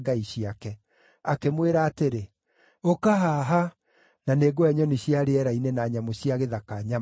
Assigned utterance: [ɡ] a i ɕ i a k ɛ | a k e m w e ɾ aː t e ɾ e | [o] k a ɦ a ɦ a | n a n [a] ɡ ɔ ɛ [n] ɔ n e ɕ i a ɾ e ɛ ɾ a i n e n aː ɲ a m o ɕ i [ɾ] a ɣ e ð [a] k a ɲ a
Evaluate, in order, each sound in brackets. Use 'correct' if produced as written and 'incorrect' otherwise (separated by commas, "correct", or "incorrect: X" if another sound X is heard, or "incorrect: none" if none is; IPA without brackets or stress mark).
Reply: correct, correct, incorrect: e, incorrect: ɲ, incorrect: none, correct